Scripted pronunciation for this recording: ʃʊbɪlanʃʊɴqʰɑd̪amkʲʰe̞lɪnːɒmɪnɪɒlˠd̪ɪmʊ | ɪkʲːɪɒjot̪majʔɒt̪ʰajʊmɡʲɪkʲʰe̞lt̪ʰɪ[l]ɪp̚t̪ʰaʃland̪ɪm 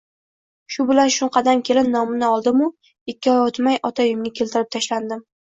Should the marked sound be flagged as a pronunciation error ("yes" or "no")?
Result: yes